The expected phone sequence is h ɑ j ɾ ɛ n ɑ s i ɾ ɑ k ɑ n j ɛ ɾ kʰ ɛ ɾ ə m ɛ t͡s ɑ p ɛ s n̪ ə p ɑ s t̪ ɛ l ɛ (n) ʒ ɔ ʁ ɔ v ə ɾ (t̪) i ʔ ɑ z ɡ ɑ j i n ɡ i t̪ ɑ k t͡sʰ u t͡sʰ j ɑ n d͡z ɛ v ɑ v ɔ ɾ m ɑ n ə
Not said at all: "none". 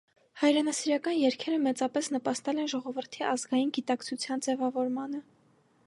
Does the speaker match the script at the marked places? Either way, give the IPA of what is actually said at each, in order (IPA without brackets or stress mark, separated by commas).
n, t̪ʰ